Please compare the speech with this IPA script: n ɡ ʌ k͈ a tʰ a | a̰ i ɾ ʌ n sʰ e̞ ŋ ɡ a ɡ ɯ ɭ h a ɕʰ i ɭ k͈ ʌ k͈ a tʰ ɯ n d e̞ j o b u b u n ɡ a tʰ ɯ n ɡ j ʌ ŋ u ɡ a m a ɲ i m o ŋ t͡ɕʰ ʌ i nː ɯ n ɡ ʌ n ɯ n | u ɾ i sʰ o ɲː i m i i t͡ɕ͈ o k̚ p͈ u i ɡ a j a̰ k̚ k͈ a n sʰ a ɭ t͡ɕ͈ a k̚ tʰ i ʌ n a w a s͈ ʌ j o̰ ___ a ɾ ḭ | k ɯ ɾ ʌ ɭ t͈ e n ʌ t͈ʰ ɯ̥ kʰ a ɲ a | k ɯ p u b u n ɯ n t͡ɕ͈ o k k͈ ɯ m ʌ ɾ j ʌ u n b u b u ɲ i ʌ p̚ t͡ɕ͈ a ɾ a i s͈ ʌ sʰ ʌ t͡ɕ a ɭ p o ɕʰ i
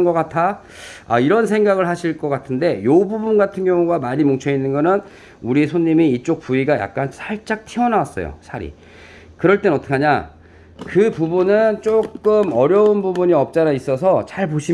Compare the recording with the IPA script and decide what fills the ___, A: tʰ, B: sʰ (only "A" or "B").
B